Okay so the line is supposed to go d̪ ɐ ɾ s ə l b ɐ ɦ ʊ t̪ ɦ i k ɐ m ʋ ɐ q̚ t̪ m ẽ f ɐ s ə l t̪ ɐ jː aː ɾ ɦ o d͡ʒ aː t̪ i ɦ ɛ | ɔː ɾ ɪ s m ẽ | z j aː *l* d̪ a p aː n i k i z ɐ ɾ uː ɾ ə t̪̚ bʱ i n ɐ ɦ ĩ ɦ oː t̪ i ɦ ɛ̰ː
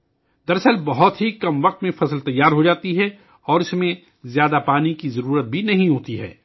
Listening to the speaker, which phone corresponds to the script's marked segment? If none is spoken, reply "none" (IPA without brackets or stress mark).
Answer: none